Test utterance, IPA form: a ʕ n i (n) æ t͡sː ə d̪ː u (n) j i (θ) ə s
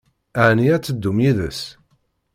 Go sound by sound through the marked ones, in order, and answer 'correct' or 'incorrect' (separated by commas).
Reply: incorrect, incorrect, incorrect